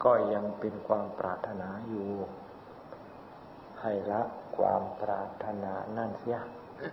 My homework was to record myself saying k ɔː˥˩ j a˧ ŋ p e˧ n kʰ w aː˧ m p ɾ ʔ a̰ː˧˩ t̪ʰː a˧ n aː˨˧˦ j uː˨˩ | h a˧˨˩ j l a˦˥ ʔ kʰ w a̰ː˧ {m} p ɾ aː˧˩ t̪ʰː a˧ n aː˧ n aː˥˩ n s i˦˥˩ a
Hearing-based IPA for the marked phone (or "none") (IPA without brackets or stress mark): m